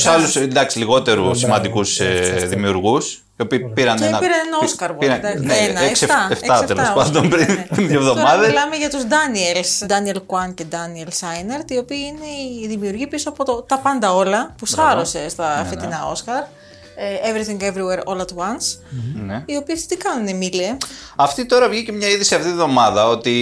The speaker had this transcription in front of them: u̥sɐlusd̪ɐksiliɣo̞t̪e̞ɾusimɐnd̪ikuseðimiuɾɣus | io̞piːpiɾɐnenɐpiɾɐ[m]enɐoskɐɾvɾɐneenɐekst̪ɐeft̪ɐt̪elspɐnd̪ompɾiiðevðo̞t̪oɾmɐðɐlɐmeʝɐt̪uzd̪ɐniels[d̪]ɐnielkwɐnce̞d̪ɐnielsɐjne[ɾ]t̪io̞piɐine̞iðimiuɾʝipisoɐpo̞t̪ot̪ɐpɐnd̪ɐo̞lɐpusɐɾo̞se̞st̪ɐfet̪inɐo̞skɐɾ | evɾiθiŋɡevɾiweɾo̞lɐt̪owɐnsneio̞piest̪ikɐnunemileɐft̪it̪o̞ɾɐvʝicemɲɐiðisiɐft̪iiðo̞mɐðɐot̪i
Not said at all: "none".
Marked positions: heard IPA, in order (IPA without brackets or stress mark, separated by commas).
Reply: n, d̪, ɾ